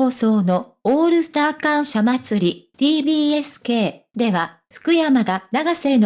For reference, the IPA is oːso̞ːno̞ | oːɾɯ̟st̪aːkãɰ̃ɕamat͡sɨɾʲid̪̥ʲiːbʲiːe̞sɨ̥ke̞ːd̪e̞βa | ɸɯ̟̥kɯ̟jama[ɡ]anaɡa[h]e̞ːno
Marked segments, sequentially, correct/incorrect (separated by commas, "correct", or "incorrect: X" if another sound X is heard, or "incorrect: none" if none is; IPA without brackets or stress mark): correct, incorrect: s